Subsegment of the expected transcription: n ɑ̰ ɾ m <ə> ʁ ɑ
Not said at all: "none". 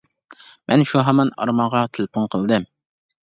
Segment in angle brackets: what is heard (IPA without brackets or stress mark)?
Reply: ɑ